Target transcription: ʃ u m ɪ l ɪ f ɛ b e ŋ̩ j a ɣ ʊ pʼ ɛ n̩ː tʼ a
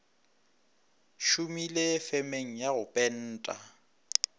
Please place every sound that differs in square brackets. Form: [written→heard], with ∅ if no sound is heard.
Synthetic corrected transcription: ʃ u m [ɪ→i] l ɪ f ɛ [b→m] e ŋ̩ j a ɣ ʊ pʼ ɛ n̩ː tʼ a

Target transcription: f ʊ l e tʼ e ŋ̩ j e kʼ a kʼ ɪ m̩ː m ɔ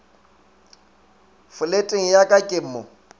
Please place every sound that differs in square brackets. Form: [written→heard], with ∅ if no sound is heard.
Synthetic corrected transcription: f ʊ l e tʼ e ŋ̩ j [e→a] kʼ a kʼ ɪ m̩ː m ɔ

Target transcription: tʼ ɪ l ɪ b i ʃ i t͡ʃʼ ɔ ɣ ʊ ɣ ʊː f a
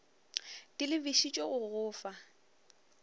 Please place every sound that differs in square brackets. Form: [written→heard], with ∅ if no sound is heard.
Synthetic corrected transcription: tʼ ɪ l ɪ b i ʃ i t͡ʃʼ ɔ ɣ ʊ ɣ ʊː f a

